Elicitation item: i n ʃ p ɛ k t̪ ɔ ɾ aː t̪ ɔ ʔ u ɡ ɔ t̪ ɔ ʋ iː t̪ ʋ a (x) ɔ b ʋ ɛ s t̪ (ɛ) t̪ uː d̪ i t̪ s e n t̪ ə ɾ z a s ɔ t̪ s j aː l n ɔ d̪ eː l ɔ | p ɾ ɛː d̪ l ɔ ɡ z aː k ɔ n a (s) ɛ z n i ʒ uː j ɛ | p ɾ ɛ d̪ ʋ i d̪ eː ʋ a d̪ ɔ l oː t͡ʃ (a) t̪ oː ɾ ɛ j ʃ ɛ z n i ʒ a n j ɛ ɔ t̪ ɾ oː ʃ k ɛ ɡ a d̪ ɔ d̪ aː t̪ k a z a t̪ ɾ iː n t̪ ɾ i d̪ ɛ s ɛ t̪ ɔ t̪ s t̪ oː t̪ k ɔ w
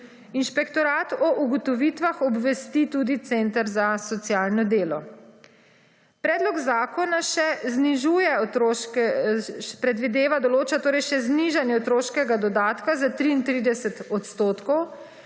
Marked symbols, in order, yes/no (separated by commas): yes, no, no, yes